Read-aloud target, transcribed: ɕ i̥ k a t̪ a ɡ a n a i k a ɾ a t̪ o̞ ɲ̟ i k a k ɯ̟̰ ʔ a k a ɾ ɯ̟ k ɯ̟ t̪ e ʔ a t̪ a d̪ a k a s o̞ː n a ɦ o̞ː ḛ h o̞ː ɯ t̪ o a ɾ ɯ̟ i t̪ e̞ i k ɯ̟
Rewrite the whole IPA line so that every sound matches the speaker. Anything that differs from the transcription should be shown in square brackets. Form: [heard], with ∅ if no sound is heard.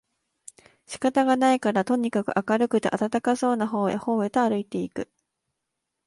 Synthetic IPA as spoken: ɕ i̥ k a t̪ a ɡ a n a i k a ɾ a t̪ o̞ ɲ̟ i k a k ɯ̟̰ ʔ a k a ɾ ɯ̟ k ɯ̟ t̪ e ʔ a t̪ a [t̪] a k a s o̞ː n a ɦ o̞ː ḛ h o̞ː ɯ t̪ o a ɾ ɯ̟ i t̪ e̞ i k ɯ̟